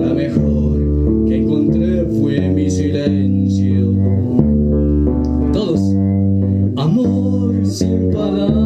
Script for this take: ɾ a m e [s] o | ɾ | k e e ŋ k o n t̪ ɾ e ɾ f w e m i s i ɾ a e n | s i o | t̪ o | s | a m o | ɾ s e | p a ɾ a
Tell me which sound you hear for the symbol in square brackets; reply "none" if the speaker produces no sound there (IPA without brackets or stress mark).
x